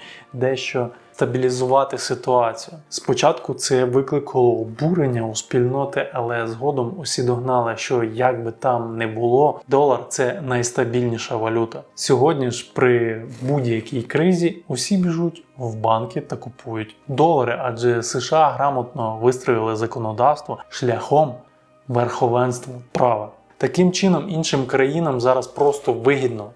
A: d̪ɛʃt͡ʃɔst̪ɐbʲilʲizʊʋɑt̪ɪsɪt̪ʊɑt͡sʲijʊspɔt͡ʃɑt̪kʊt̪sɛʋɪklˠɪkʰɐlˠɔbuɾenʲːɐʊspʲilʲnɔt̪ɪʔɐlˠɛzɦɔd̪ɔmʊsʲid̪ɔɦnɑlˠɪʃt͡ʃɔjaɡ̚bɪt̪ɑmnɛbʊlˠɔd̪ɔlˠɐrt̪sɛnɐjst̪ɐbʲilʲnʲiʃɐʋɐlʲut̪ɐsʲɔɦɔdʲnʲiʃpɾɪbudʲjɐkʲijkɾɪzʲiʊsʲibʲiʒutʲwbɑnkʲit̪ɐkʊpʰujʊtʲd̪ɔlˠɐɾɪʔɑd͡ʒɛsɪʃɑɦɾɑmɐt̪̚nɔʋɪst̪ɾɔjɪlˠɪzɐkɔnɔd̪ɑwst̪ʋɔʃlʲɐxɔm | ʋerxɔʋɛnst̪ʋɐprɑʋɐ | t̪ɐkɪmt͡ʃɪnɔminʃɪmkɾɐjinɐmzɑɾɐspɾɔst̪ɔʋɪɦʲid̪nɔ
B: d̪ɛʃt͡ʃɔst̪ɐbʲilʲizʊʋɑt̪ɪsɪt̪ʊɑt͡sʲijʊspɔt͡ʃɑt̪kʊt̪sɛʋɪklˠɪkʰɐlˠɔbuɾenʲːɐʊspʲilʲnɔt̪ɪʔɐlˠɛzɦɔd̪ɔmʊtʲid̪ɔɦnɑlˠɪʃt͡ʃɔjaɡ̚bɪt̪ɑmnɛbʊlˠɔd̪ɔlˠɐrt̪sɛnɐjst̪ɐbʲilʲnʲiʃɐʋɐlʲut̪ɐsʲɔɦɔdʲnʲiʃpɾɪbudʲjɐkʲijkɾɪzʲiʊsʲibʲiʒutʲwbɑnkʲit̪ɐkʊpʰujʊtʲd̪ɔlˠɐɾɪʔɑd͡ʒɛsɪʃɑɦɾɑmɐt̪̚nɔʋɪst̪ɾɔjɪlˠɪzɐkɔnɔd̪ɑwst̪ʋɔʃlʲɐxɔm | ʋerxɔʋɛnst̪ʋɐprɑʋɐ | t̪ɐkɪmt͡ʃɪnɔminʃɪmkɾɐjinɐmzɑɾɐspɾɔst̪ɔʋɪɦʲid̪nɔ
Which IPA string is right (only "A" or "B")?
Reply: A